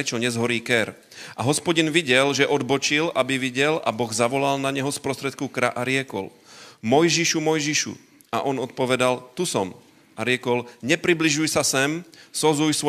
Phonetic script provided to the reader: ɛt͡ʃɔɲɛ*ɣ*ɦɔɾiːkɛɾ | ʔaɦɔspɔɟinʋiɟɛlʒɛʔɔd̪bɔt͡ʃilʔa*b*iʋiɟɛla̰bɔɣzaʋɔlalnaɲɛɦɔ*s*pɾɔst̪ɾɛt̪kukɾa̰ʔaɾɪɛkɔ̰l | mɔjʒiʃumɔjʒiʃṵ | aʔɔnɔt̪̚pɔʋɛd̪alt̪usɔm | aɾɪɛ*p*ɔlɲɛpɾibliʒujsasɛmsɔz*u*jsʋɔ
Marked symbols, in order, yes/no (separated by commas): no, yes, yes, no, yes